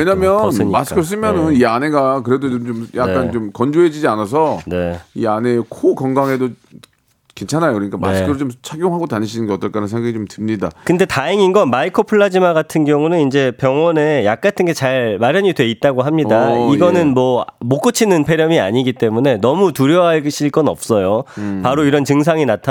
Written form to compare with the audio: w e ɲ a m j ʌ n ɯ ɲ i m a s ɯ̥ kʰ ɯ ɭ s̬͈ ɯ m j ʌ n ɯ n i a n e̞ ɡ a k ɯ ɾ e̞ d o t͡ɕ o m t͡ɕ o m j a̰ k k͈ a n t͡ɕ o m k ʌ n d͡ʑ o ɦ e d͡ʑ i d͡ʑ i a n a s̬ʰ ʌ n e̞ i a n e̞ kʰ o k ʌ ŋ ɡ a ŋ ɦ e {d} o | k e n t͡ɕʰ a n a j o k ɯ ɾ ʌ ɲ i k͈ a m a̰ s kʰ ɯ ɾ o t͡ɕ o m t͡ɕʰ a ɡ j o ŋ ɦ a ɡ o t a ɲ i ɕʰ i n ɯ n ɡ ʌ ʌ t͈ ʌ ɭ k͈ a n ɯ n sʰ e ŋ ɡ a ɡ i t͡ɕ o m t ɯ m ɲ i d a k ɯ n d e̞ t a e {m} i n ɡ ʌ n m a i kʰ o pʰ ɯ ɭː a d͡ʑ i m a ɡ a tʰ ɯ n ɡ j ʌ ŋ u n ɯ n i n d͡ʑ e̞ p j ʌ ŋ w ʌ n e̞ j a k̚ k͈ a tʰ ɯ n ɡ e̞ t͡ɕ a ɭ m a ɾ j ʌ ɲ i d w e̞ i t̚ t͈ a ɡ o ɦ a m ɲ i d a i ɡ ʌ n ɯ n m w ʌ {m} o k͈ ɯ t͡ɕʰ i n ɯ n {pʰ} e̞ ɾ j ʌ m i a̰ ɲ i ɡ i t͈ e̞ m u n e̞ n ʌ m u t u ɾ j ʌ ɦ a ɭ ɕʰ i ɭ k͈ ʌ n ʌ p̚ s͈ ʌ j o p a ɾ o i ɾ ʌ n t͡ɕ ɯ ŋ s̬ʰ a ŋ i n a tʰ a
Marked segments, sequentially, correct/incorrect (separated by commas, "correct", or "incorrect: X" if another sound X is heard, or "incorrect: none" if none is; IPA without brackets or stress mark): correct, incorrect: ŋ, correct, correct